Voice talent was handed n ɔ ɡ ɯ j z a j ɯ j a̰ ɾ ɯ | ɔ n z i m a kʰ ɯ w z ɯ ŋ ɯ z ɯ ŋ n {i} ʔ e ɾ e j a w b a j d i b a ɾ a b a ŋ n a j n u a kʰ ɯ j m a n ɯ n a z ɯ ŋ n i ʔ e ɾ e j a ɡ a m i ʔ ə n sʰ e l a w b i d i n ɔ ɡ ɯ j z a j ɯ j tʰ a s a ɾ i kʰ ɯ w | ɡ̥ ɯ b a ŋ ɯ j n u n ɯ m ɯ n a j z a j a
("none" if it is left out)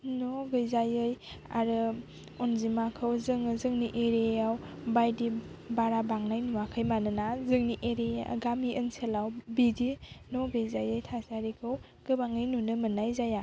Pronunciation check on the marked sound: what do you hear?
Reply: i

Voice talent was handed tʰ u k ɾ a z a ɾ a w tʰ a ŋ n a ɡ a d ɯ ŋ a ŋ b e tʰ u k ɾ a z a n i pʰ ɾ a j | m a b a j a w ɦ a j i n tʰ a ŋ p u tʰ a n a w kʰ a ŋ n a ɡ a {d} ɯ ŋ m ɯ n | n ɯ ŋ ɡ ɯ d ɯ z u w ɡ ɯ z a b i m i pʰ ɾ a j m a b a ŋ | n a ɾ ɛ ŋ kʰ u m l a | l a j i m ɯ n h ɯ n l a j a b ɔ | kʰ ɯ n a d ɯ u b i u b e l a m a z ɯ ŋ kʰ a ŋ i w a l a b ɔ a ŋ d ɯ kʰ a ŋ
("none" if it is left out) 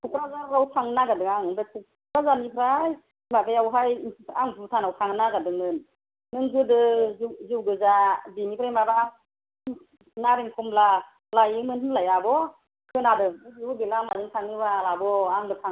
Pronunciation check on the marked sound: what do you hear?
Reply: d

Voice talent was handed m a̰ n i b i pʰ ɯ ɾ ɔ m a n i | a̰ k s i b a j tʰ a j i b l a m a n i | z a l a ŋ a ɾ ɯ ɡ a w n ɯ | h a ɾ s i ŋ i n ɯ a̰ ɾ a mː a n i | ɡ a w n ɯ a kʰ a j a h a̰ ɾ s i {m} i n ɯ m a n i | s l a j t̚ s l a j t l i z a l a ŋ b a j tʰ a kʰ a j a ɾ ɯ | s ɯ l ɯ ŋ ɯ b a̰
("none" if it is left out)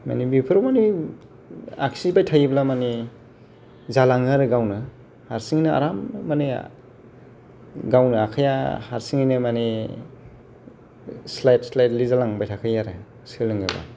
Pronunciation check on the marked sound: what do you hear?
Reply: ŋ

